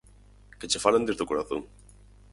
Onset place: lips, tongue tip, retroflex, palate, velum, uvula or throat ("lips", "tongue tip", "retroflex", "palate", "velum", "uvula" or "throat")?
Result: velum